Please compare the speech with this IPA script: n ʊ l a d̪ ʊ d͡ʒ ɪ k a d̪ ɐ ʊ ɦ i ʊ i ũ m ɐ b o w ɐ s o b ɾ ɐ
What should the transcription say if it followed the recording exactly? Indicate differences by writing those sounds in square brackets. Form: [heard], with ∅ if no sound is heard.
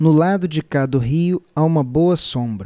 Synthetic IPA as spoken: n ʊ l a d̪ ʊ d͡ʒ ɪ k a d̪ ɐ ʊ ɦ i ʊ [a] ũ m ɐ b o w ɐ s [õ] b ɾ ɐ